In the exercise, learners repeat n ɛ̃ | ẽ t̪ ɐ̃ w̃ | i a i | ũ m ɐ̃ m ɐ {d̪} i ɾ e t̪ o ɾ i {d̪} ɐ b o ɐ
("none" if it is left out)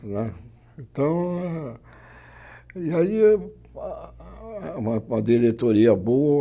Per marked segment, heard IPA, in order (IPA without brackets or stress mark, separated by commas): d̪, none